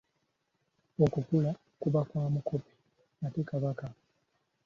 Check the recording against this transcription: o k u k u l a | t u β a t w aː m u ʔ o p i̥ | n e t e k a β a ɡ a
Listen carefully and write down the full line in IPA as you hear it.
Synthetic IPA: o k u k u l a | k u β a k w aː m u k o p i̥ | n a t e k a β a k a